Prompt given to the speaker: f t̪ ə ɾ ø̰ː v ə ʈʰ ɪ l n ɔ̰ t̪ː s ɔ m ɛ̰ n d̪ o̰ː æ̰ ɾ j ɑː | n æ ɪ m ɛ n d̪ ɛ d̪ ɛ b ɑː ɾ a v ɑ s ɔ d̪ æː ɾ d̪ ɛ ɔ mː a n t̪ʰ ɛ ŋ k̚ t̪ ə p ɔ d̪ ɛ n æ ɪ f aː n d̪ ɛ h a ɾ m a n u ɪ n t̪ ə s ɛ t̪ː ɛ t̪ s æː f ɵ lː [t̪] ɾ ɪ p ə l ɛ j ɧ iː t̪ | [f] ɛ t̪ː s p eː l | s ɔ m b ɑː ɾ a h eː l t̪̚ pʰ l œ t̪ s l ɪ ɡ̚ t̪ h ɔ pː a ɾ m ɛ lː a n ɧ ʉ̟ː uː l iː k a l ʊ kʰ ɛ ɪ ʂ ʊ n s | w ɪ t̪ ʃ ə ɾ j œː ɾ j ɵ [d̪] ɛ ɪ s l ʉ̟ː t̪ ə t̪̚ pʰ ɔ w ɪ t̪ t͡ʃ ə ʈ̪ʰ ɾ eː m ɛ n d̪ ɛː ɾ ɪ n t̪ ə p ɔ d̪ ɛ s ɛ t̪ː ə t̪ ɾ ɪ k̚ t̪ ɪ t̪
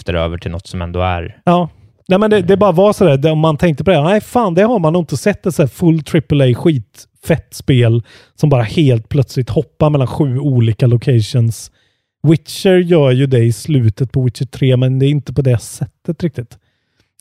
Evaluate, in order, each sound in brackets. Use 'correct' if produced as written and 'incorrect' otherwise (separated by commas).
incorrect, correct, correct